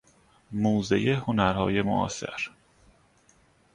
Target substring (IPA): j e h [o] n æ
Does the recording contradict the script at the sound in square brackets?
no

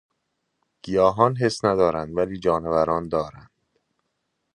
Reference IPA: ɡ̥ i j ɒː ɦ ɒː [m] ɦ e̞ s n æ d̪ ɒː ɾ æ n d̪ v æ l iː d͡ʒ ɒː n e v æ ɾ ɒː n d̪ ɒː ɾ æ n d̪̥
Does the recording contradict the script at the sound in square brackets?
yes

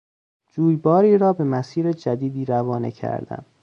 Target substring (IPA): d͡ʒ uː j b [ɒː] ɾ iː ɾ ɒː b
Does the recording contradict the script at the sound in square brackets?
no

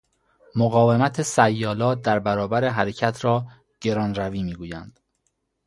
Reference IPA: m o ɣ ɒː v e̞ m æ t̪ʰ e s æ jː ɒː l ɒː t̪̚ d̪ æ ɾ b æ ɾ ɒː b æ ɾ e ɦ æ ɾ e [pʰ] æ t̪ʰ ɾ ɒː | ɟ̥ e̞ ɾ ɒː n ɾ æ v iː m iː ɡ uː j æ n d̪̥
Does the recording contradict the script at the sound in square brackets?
yes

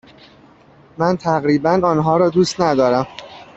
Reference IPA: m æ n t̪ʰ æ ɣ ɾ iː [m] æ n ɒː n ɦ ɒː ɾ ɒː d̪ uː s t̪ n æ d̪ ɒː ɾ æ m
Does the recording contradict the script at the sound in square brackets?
yes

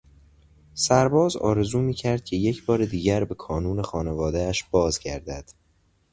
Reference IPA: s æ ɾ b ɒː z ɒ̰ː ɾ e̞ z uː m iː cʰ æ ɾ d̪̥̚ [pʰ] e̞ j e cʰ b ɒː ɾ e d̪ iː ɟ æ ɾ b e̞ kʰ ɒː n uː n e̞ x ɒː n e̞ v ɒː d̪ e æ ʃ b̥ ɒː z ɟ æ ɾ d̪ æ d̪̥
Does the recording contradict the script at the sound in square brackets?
yes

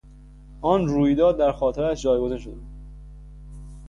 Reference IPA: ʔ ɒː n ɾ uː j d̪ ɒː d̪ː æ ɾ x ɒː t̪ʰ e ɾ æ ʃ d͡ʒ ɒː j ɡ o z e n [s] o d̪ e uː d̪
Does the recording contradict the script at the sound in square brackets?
yes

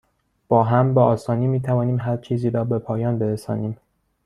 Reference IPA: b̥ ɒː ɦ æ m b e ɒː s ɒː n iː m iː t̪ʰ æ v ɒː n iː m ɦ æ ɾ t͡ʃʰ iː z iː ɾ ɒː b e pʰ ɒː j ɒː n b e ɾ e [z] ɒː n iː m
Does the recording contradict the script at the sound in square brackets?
yes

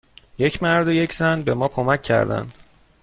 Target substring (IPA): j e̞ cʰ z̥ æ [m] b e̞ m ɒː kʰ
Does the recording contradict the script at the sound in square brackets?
yes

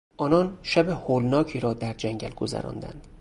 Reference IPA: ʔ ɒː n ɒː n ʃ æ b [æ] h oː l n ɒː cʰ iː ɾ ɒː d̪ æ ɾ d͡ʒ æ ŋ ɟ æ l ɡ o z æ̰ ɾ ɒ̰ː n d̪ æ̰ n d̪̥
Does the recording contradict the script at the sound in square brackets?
yes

